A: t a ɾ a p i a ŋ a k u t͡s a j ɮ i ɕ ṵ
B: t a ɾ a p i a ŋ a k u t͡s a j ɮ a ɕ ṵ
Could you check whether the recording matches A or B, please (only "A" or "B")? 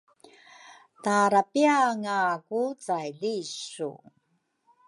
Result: A